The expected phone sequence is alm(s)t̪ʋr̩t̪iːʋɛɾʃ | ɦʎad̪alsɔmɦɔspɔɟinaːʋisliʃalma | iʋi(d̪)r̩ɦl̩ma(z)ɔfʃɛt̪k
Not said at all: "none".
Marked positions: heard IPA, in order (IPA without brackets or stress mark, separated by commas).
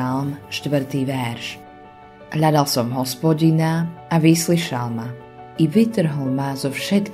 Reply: ʃ, t̪, z